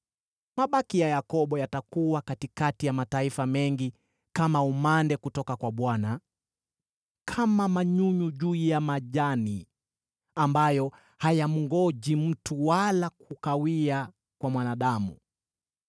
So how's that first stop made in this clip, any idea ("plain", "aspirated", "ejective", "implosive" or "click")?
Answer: implosive